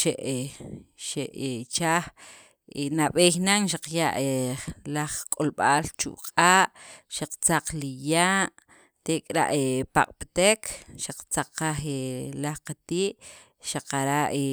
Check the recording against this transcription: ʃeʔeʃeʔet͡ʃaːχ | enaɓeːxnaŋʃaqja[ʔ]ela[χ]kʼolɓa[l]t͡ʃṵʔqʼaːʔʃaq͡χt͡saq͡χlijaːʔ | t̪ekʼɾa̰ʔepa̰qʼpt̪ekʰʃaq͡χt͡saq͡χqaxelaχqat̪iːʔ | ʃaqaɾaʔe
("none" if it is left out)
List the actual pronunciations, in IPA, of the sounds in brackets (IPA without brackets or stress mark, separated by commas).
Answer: ʔ, χ, l